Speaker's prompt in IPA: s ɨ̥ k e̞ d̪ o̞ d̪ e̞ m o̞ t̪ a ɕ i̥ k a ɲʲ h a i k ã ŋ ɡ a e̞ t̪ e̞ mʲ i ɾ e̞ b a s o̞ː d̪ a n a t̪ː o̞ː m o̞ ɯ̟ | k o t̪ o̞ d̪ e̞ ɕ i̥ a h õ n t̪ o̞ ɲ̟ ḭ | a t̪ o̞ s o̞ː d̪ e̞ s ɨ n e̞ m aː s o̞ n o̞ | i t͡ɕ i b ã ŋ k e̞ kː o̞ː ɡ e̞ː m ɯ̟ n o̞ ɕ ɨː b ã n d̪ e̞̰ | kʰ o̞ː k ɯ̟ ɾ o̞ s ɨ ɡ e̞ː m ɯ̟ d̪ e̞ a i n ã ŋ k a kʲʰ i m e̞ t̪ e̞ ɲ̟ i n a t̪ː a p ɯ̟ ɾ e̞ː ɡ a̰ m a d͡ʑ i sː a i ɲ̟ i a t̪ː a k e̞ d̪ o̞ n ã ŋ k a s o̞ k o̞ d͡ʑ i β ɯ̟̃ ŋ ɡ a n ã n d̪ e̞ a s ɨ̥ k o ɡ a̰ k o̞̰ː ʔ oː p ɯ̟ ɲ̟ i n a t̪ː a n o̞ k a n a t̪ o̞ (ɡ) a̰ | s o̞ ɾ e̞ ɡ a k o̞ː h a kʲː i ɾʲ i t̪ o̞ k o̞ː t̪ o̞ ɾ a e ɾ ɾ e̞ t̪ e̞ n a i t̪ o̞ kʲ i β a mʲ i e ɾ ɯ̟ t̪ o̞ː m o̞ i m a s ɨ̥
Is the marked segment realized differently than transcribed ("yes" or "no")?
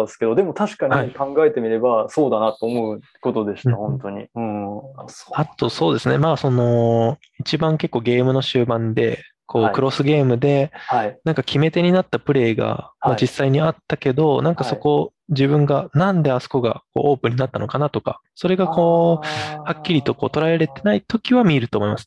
yes